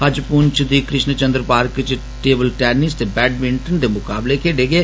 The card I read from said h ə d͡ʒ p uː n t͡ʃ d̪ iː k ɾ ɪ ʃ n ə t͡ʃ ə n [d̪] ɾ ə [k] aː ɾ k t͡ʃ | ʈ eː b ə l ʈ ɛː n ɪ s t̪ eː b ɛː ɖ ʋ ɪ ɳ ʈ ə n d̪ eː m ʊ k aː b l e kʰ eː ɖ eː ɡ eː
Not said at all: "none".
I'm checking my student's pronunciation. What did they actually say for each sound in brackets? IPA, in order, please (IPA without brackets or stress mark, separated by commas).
d̪, p